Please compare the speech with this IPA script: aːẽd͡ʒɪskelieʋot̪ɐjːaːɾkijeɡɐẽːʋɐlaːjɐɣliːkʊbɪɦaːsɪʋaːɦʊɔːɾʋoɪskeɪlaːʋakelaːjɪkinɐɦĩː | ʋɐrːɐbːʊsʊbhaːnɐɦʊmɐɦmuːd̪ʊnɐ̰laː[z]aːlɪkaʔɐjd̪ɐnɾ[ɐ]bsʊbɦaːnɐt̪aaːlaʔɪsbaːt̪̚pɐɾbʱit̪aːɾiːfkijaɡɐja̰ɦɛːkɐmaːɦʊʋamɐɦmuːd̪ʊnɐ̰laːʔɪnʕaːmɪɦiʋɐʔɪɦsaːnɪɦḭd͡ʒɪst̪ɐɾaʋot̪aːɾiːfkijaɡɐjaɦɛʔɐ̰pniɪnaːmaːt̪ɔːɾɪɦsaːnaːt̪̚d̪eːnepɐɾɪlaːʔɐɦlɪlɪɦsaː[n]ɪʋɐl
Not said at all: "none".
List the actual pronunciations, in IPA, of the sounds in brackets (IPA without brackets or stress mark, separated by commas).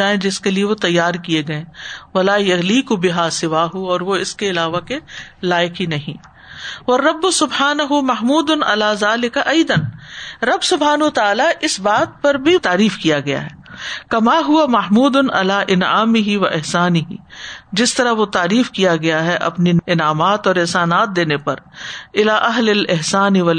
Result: z, ɐ, n